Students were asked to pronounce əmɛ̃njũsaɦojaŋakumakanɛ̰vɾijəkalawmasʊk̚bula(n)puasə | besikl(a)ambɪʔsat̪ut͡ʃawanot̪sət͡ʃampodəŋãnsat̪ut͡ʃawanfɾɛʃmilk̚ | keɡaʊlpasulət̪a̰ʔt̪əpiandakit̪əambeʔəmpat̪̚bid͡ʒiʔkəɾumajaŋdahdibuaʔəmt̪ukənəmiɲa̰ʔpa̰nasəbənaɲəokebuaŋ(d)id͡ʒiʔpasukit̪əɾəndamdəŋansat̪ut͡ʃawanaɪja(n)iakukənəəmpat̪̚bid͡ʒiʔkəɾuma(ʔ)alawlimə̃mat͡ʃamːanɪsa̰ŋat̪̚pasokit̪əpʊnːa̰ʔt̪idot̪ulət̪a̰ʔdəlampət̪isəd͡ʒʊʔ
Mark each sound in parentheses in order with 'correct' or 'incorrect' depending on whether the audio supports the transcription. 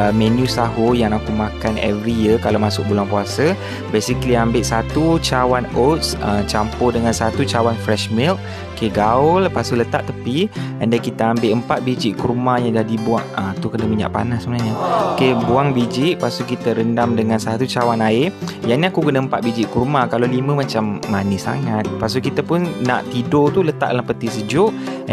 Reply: incorrect, incorrect, incorrect, correct, incorrect

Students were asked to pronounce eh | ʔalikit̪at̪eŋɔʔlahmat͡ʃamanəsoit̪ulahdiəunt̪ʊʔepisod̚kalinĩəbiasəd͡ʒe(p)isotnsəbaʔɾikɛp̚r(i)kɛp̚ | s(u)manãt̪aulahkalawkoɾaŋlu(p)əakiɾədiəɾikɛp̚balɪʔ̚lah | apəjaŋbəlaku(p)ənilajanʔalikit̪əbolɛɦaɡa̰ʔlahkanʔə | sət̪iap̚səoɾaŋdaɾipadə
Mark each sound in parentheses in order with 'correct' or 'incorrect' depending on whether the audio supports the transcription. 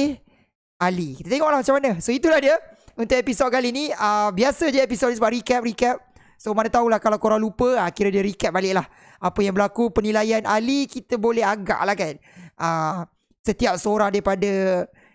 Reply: correct, correct, incorrect, correct, correct

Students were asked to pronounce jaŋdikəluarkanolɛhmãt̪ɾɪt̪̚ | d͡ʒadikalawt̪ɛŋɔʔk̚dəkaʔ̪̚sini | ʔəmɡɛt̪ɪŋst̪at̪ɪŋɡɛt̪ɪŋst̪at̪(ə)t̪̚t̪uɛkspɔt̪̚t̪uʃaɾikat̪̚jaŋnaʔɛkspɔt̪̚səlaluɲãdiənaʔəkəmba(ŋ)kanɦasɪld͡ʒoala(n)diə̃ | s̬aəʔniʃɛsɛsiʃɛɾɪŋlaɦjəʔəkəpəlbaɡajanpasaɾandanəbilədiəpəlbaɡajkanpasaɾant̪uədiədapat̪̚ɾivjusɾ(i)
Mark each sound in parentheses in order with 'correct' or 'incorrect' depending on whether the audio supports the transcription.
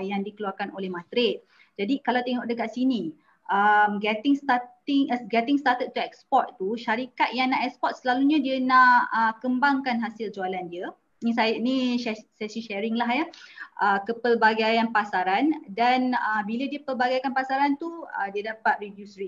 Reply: correct, correct, correct, correct

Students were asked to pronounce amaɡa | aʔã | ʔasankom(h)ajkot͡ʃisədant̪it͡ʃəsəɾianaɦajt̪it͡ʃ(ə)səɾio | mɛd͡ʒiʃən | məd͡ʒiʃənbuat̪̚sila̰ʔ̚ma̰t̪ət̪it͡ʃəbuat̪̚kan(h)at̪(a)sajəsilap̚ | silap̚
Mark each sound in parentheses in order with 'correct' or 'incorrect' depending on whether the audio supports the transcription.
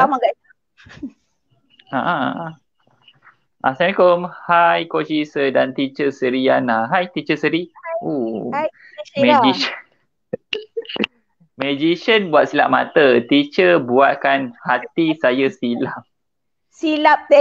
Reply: correct, correct, correct, incorrect

